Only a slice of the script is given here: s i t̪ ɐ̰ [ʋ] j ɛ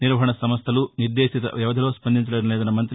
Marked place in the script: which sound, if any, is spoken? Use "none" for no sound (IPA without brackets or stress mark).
ʋ